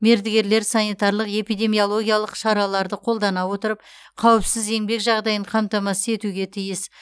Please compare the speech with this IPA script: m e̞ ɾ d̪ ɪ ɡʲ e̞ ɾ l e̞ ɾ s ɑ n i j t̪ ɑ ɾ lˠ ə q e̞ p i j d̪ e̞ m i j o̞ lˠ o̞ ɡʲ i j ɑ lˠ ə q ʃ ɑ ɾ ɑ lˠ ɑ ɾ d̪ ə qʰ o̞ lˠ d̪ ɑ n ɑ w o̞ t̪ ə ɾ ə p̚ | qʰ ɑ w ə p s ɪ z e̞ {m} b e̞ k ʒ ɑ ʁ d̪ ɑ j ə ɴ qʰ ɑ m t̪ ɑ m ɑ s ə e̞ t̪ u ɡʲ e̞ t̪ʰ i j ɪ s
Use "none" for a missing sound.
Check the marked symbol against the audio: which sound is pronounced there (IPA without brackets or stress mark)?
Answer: ŋ